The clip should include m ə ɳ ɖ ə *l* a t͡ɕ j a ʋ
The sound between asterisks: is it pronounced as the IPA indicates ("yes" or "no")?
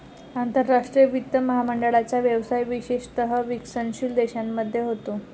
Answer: no